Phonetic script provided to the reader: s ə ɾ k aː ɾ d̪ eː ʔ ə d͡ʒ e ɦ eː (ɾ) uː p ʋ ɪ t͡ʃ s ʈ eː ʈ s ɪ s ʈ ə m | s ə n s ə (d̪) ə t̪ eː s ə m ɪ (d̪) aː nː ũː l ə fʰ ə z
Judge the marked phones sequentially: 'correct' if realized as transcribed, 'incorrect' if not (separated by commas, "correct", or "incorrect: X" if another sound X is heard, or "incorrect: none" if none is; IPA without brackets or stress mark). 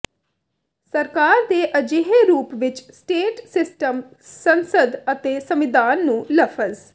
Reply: correct, correct, correct